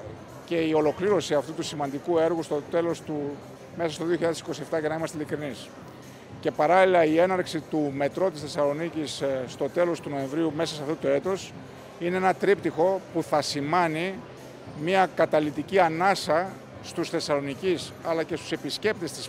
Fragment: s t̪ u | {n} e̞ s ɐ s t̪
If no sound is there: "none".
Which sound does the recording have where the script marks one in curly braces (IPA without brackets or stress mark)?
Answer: m